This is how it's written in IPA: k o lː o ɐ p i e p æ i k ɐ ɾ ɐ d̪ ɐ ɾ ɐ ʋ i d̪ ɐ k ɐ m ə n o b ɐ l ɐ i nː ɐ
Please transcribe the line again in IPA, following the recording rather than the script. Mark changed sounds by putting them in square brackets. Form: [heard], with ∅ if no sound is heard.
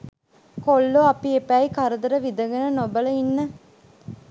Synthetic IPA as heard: k o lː o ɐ p i e p æ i k ɐ ɾ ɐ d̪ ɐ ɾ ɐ ʋ i d̪ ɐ [ɡ] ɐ [n] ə n o b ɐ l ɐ i nː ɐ